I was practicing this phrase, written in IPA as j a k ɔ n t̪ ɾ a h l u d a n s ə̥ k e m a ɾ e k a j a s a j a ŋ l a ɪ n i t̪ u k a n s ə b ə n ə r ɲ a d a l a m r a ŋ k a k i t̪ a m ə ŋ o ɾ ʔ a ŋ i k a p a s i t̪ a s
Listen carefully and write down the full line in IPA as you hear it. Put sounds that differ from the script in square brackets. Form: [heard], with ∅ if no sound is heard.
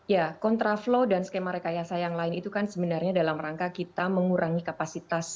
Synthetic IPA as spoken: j a k ɔ n t̪ ɾ a [f] l [o] d a n s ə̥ k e m a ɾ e k a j a s a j a ŋ l a ɪ n i t̪ u k a n s ə b ə n [a] r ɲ a d a l a m r a ŋ k a k i t̪ a m ə ŋ [u] ɾ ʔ a ŋ i k a p a s i t̪ a s